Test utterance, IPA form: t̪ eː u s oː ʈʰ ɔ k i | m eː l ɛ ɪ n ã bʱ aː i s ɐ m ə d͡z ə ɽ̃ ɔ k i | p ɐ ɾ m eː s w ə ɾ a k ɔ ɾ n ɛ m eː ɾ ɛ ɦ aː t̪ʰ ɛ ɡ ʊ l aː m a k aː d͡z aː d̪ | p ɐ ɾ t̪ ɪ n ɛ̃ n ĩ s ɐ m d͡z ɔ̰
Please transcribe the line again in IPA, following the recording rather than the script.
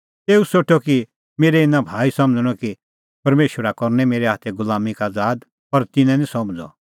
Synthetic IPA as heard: t̪ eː u s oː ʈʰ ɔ k i | m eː ɾ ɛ ɪ n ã bʱ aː i s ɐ m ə d͡z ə ɽ̃ ɔ k i | p ɐ ɾ m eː ʃ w ə ɾ a k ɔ ɾ n ɛ m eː ɾ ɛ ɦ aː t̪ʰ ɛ ɡ ʊ l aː m i k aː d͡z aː d̪ | p ɐ ɾ t̪ ɪ n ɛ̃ n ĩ s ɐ m d͡z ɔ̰